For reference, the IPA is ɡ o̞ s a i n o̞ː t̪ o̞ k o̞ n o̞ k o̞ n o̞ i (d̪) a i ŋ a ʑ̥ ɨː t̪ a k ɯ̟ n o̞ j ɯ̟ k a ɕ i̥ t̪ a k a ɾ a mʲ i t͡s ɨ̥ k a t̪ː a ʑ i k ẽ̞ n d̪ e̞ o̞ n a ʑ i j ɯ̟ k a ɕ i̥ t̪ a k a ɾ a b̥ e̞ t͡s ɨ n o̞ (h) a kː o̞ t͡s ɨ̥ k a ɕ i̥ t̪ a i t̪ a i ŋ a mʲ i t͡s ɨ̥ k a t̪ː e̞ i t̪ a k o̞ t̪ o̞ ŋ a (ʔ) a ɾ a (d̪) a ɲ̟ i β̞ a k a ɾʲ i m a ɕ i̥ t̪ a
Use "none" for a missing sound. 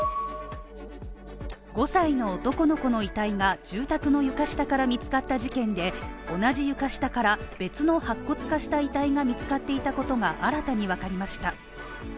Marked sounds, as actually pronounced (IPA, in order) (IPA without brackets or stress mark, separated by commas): t̪, h, ʔ, t̪